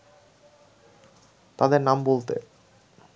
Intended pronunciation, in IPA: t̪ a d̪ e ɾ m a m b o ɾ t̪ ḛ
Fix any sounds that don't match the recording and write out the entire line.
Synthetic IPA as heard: t̪ a d̪ e ɾ n a m b o l t̪ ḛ